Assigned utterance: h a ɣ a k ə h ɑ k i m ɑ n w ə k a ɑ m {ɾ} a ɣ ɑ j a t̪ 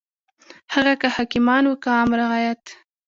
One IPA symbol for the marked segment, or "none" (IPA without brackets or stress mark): ɾ